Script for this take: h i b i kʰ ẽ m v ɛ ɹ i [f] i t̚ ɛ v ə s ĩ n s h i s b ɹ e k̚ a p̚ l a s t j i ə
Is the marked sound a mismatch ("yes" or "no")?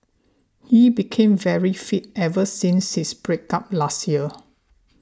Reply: no